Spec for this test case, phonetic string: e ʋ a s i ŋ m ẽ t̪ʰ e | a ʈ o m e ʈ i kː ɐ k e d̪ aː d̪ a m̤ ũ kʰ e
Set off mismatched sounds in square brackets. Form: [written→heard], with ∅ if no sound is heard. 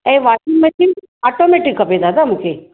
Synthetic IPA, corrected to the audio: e ʋ a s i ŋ m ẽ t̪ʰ [e→i] | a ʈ o m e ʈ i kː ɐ [k→p] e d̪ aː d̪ a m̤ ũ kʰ e